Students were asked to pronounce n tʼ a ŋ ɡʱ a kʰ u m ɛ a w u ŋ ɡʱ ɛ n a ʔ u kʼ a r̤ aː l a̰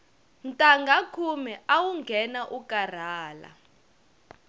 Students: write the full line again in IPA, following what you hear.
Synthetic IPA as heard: n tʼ a ŋ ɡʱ a kʰ u m ɛ a w u ŋ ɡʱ ɛ n a ʔ u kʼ a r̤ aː l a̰